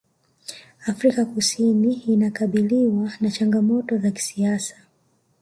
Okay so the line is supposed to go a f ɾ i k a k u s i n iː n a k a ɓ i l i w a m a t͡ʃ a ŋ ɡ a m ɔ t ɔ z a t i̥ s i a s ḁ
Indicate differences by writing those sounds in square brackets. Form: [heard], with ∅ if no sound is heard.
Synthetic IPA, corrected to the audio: a f ɾ i k a k u s i n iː n a k a ɓ i l i w a [n] a t͡ʃ a ŋ ɡ a m ɔ t ɔ z a [k] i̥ s i a s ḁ